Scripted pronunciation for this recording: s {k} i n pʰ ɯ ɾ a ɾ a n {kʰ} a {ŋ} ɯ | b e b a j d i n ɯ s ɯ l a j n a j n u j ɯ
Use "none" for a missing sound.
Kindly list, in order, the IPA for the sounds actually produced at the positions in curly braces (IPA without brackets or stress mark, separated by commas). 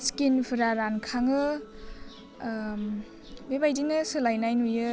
k, kʰ, ŋ